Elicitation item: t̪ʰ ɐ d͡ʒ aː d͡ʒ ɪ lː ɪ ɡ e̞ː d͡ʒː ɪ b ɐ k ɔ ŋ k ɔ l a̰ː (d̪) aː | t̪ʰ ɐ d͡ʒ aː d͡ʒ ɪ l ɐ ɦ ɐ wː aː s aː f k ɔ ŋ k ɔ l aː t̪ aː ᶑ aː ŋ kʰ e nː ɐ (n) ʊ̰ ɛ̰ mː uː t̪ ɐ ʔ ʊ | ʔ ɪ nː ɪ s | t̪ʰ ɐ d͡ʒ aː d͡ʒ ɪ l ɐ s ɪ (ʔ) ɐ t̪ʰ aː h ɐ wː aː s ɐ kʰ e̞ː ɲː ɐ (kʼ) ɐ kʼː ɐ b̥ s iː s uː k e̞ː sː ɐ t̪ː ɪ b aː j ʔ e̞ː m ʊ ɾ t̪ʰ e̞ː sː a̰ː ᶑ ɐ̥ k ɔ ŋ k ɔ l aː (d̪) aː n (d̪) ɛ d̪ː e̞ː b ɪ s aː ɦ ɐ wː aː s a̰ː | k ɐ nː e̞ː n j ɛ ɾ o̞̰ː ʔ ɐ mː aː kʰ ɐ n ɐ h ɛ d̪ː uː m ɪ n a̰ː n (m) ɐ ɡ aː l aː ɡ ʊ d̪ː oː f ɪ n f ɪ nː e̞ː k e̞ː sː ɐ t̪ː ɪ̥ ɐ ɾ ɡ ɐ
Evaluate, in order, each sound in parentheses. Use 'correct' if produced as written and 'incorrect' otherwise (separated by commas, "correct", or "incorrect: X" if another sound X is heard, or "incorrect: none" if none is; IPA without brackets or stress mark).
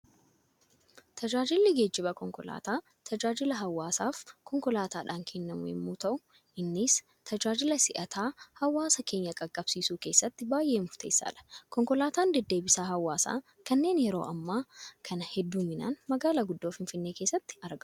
incorrect: t̪, incorrect: m, correct, correct, incorrect: t̪, correct, correct